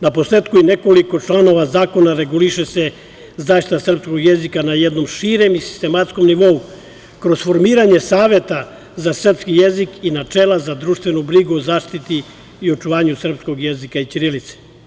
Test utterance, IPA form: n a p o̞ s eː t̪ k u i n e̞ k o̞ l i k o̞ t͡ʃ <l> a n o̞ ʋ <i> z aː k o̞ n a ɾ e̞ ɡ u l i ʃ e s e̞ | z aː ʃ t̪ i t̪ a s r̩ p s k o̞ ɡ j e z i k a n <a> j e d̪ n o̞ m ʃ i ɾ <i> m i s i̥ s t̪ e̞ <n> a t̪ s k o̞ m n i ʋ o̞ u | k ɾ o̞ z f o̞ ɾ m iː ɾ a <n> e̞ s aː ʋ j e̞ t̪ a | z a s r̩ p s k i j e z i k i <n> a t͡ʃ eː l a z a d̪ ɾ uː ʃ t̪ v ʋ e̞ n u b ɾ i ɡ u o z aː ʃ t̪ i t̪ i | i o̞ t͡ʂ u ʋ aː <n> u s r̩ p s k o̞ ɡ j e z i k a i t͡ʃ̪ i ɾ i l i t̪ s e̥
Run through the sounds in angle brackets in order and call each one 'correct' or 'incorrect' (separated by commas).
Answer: correct, incorrect, correct, incorrect, incorrect, incorrect, correct, incorrect